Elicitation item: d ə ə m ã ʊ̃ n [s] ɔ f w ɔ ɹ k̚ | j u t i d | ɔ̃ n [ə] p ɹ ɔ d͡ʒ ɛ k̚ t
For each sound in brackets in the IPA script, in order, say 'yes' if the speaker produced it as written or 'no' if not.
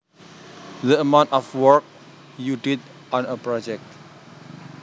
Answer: no, yes

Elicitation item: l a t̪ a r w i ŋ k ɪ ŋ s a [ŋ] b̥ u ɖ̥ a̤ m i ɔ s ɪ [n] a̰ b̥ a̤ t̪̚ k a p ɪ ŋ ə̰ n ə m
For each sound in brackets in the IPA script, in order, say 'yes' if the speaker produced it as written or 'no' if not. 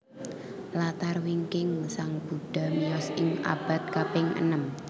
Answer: yes, no

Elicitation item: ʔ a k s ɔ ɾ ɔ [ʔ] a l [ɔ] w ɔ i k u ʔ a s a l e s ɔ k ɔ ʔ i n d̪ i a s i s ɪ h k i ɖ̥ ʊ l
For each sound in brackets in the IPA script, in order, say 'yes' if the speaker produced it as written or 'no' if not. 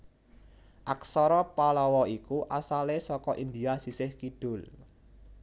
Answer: no, yes

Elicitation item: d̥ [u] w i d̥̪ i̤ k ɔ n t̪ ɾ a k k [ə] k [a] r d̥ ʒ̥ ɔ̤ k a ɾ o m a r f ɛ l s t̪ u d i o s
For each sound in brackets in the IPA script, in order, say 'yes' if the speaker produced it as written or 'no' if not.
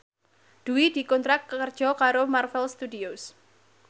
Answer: yes, yes, no

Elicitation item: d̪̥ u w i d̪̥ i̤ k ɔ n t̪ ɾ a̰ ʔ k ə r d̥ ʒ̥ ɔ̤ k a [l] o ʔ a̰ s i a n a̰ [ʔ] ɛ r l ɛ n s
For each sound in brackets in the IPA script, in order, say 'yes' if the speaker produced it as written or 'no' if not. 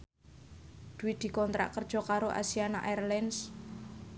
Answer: no, yes

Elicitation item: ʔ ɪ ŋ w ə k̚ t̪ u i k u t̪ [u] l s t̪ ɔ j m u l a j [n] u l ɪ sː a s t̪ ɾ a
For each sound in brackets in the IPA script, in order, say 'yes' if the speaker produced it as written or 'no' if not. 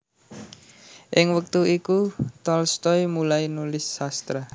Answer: no, yes

